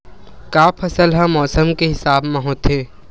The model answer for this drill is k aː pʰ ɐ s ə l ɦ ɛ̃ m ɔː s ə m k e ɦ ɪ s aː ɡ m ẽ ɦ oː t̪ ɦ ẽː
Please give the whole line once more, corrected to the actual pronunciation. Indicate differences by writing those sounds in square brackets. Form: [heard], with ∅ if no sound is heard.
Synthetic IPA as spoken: k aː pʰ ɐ s ə l ɦ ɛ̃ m ɔː s ə m k e ɦ ɪ s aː [b] m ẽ ɦ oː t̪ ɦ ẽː

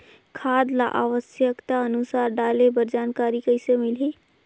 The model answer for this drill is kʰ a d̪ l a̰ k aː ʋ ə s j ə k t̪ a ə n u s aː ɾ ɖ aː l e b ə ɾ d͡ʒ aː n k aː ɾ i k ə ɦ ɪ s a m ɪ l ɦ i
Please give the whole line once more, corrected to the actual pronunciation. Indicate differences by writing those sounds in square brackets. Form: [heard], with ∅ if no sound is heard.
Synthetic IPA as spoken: kʰ a d̪ l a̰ [ʔ] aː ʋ ə s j ə k t̪ a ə n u s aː ɾ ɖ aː l e b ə ɾ d͡ʒ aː n k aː ɾ i k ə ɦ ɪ s [e] m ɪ l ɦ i

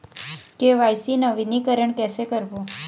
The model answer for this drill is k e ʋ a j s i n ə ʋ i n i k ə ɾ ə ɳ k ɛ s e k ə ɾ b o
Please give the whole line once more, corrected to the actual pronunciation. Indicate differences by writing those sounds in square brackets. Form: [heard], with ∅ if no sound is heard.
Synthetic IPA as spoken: k e ʋ a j s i n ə ʋ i n i k ə ɾ ə ɳ k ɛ s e k ə ɾ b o

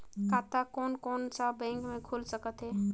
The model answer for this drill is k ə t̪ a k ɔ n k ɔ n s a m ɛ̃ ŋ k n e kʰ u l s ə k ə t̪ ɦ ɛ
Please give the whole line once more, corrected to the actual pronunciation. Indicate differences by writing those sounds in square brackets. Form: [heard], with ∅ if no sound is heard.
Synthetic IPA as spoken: k [a] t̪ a k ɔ n k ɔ n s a [b] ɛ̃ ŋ k [m] e kʰ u l s ə k ə t̪ ɦ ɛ

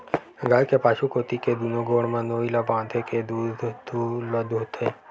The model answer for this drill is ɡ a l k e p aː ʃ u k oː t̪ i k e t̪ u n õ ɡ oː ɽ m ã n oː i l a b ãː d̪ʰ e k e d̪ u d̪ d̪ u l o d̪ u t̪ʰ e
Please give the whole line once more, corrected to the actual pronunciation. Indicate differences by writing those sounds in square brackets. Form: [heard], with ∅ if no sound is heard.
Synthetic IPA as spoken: ɡ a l k e p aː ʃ u k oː t̪ i k e [d̪] u n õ ɡ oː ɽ m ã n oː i l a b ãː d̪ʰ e k e d̪ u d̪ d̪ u l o d̪ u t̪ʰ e

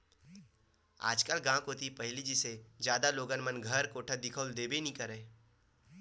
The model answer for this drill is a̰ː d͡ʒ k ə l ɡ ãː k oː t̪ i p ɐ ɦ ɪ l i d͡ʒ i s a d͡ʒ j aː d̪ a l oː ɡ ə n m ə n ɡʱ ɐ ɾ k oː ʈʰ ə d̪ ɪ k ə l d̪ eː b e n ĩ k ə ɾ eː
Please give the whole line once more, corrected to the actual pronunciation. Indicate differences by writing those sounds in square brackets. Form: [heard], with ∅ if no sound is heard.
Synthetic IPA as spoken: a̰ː d͡ʒ k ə l ɡ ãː k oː t̪ i p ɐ ɦ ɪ l i d͡ʒ i s [e] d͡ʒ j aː d̪ a l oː ɡ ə n m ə n ɡʱ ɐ ɾ k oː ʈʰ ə d̪ ɪ [kʰ] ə l d̪ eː b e n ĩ k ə ɾ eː

